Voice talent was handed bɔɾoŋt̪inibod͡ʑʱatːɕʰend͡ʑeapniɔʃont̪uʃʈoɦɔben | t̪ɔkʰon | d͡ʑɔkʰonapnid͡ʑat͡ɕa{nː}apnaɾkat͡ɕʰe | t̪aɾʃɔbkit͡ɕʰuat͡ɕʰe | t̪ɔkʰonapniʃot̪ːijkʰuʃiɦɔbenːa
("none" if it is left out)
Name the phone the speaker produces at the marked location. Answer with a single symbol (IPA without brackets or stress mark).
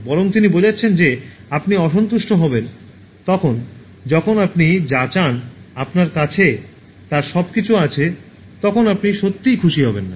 n